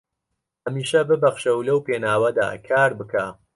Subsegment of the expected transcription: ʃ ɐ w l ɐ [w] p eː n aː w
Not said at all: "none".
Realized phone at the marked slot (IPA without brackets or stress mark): w